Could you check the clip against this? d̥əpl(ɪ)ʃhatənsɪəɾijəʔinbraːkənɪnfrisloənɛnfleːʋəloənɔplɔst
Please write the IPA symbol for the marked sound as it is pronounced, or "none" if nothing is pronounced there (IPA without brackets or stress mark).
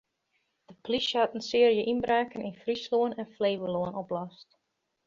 i